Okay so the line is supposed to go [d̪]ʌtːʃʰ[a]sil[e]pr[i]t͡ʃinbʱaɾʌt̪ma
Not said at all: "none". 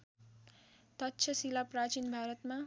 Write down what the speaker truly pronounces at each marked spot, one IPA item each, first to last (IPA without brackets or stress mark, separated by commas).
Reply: t̪, ʌ, a, a